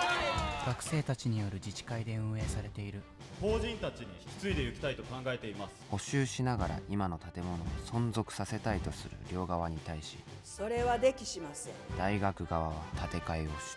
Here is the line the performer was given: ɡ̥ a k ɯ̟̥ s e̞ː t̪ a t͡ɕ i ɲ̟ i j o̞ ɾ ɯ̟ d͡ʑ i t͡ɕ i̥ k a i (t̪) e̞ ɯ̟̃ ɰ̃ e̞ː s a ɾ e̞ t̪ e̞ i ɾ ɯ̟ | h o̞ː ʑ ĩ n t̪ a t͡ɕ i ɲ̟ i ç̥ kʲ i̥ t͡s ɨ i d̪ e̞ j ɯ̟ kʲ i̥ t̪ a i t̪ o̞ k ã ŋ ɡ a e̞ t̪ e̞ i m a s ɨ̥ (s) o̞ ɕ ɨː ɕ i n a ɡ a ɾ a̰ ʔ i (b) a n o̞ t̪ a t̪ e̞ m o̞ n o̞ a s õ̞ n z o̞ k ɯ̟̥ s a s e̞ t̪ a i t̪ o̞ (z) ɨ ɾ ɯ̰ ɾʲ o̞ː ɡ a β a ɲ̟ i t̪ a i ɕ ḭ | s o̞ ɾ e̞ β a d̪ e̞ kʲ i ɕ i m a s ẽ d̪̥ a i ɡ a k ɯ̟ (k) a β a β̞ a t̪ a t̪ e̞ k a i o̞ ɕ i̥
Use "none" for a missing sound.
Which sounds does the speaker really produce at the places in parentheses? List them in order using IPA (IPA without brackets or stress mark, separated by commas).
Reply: d̪, h, m, s, ɡ